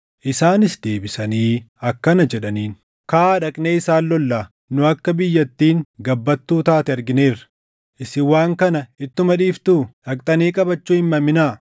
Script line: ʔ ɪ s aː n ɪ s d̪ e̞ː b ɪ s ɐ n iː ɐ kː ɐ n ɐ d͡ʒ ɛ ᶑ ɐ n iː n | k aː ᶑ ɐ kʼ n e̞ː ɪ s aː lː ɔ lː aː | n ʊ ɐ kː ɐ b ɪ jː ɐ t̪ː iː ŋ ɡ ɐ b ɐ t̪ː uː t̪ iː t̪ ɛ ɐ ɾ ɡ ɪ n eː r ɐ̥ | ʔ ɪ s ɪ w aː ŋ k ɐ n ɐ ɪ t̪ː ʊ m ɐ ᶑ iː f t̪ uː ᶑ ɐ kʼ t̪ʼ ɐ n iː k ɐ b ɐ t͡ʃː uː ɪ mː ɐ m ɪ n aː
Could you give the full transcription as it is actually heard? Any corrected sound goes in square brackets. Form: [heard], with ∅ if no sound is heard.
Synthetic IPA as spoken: ʔ ɪ s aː n ɪ s d̪ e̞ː b ɪ s ɐ n iː ɐ kː ɐ n ɐ d͡ʒ ɛ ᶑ ɐ n iː n | k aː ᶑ ɐ kʼ n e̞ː ɪ s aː lː ɔ lː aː | n ʊ ɐ kː ɐ b ɪ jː ɐ t̪ː iː ŋ ɡ ɐ [bː] ɐ t̪ː uː t̪ [aː] t̪ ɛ ɐ ɾ ɡ ɪ n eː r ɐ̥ | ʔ ɪ s ɪ w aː ŋ k ɐ n ɐ ɪ t̪ː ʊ m ɐ ᶑ iː f t̪ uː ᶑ ɐ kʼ t̪ʼ ɐ n iː [kʼ] ɐ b ɐ t͡ʃː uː ɪ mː ɐ m ɪ n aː